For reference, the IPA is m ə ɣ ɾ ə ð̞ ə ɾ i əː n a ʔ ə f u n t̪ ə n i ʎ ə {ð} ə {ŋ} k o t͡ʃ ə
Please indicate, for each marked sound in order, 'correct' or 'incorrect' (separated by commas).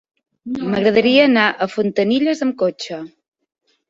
incorrect, incorrect